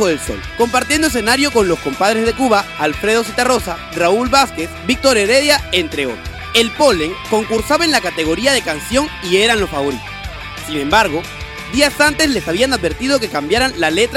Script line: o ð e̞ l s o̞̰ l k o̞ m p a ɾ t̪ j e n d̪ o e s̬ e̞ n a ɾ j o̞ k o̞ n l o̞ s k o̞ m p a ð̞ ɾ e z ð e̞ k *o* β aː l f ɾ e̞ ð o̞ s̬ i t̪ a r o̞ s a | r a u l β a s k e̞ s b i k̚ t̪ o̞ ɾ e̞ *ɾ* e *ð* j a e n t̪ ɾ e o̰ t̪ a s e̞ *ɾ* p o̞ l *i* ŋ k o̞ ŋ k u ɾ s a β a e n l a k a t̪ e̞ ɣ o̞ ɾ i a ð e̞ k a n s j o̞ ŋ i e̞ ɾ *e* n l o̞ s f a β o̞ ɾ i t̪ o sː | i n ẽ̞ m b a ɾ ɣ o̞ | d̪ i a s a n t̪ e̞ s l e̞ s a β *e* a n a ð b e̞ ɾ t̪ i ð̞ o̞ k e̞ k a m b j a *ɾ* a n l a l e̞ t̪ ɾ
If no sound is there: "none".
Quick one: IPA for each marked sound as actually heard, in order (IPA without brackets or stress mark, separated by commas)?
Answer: u, ɾ, ð, l, e, a, i, ɾ